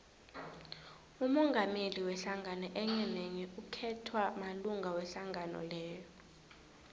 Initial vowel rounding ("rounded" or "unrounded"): rounded